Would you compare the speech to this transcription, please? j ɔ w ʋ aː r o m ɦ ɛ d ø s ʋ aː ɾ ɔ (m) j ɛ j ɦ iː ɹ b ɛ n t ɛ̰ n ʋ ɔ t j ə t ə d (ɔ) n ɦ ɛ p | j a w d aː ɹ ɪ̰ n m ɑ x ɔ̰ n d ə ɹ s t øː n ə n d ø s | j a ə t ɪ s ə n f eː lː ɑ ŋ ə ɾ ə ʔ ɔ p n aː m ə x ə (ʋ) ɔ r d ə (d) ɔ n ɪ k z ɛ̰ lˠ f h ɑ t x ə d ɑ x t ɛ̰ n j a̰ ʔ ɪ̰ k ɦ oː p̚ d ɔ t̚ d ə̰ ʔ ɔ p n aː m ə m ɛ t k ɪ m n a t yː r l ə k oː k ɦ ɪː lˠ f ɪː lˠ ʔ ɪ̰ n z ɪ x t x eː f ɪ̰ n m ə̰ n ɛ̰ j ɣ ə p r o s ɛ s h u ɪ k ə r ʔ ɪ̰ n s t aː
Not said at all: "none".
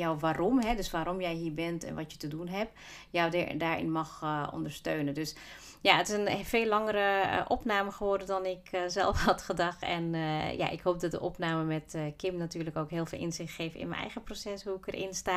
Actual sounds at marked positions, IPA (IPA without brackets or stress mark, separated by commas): m, u, ʋ, d